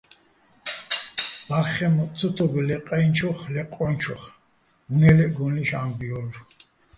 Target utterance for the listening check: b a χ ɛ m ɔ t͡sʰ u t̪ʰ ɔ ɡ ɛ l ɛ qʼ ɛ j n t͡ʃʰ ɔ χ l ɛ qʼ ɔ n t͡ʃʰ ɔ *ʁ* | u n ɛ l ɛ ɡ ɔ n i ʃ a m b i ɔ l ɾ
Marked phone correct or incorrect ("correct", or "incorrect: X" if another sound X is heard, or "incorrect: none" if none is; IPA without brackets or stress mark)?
incorrect: χ